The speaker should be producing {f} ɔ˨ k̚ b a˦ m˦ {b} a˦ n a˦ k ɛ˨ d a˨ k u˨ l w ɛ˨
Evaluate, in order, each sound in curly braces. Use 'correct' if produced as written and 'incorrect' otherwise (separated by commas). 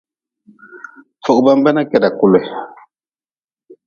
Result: correct, correct